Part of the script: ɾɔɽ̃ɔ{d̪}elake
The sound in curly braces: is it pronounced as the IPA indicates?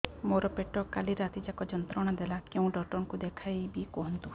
yes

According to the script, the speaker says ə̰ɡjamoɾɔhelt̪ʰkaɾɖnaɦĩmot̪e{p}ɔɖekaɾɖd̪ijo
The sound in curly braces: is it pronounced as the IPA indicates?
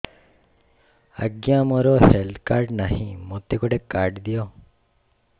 no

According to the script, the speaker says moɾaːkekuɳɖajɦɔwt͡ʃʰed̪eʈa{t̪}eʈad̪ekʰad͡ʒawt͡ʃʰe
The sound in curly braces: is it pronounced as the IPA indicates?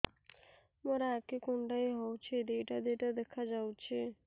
no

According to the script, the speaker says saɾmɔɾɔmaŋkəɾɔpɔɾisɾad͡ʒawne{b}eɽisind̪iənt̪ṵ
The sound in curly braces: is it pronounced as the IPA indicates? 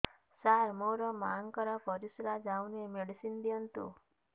no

